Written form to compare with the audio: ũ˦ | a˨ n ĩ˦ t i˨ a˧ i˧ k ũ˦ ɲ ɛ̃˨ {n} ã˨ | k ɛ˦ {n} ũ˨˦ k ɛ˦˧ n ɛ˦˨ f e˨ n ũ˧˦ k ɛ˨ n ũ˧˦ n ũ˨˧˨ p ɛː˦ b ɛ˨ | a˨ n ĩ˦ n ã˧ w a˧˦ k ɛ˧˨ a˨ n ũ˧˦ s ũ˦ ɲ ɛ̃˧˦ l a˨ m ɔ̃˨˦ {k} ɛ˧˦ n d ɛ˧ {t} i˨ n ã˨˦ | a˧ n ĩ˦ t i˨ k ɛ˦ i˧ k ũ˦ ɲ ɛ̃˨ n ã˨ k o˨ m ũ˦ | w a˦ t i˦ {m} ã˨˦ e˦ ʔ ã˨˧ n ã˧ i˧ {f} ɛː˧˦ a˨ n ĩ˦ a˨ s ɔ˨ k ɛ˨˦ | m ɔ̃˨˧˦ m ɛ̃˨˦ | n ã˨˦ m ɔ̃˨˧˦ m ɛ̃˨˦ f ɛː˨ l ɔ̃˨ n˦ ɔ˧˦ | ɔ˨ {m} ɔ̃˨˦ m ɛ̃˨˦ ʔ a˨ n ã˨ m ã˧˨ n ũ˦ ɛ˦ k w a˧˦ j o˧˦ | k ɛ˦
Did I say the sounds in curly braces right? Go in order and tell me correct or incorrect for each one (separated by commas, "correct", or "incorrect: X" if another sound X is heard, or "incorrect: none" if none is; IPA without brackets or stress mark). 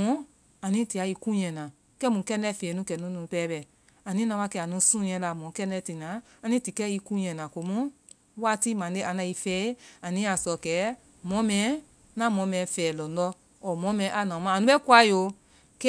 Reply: correct, incorrect: m, correct, correct, correct, correct, correct